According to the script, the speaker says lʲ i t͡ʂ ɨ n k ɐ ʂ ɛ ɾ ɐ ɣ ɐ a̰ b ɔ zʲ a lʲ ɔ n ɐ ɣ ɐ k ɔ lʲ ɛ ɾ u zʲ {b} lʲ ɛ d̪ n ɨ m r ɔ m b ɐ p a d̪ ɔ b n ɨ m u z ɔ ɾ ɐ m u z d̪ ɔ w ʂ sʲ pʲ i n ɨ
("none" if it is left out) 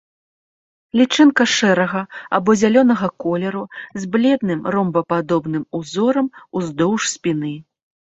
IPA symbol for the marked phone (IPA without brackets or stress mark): b